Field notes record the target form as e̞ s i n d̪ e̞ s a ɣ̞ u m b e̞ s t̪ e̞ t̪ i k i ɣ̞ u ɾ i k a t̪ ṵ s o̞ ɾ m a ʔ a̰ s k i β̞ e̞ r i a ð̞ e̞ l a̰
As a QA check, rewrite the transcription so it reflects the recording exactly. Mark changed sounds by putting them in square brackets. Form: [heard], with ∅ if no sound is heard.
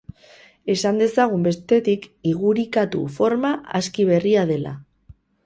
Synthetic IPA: e̞ s [a] n d̪ e̞ s a ɣ̞ u m b e̞ s t̪ e̞ t̪ i k i ɣ̞ u ɾ i k a t̪ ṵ [f] o̞ ɾ m a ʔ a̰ s k i β̞ e̞ r i a ð̞ e̞ l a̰